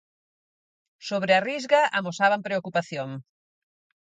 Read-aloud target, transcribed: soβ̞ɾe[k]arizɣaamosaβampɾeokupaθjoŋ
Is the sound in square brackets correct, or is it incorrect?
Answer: incorrect: none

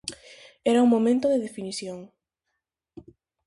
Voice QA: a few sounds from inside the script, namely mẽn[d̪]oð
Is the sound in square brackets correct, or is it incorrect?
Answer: incorrect: t̪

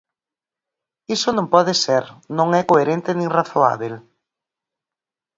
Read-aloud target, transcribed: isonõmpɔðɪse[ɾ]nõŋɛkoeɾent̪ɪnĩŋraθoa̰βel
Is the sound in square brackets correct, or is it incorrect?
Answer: correct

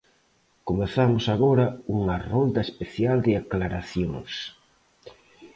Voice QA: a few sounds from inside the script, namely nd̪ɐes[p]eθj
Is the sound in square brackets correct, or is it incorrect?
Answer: correct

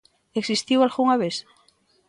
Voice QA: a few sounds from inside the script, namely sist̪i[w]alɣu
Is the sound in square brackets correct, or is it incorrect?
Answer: correct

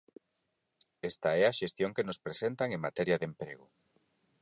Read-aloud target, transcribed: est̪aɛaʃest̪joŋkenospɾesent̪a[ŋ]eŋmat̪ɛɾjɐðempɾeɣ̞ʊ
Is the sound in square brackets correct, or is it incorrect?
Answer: correct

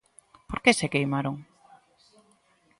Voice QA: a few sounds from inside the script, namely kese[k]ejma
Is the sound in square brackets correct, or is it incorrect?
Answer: correct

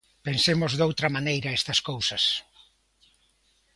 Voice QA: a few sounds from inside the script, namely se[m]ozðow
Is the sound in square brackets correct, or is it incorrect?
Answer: correct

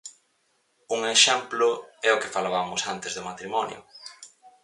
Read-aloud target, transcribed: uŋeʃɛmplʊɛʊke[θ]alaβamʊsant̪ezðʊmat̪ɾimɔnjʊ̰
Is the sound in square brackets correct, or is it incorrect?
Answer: incorrect: f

